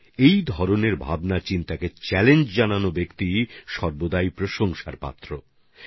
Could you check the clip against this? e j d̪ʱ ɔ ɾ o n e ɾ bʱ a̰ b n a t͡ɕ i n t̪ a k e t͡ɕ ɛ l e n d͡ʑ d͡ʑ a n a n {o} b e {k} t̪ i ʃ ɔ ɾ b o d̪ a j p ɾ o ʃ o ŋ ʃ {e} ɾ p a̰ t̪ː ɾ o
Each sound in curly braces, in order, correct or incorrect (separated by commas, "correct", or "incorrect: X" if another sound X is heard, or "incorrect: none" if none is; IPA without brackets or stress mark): correct, correct, incorrect: a